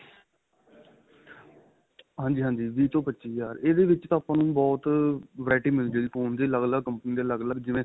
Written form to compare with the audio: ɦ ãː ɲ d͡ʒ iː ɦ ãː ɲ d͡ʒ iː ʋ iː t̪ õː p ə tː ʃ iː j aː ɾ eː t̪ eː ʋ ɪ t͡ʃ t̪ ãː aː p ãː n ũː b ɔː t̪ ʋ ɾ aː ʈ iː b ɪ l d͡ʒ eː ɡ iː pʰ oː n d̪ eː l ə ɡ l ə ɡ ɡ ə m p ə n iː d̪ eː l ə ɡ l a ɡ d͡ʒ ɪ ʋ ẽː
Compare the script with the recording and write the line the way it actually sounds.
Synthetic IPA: ɦ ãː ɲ d͡ʒ iː ɦ ãː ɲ d͡ʒ iː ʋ iː t̪ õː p ə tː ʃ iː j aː ɾ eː d̪ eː ʋ ɪ t͡ʃ t̪ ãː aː p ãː n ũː b ɔː t̪ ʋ ɾ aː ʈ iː m ɪ l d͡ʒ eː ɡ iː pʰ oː n d̪ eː l ə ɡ l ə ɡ k ə m p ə n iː d̪ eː l ə ɡ l ə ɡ d͡ʒ ɪ ʋ ẽː